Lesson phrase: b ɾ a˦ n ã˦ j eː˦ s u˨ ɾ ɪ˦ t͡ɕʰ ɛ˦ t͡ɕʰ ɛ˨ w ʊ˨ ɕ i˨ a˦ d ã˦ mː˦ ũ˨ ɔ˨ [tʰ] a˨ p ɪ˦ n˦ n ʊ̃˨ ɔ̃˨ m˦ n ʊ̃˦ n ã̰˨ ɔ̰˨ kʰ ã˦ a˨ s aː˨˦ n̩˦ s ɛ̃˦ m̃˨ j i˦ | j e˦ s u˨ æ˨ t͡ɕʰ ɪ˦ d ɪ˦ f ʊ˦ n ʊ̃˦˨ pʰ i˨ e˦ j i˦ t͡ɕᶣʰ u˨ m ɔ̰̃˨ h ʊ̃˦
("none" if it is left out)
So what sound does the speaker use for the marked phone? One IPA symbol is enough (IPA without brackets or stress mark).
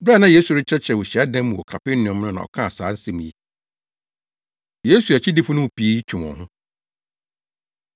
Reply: kʰ